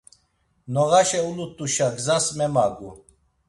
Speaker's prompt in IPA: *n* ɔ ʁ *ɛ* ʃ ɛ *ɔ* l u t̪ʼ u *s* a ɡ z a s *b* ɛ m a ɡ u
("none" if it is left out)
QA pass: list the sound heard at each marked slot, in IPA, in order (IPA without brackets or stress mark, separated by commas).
n, a, u, ʃ, m